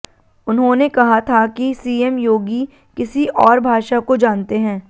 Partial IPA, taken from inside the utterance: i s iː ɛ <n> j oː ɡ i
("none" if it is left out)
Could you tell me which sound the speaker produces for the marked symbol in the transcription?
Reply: m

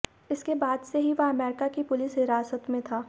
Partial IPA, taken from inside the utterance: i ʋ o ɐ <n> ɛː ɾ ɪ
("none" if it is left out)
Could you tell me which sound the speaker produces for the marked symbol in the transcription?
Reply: m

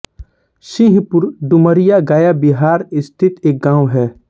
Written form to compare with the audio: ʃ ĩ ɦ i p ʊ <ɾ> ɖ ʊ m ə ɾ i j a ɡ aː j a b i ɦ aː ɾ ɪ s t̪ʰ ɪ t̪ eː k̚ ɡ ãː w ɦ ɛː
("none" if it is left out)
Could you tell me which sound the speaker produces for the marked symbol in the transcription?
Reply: ɾ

